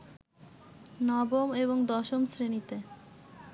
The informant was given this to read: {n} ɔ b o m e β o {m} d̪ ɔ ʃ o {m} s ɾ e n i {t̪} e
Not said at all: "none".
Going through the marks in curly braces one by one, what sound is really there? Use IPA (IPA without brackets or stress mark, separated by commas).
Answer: n, ŋ, m, t̪